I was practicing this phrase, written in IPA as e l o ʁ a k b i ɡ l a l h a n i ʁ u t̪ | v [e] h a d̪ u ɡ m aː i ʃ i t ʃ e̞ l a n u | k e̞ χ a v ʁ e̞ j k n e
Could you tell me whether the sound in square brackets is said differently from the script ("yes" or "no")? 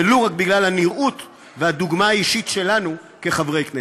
no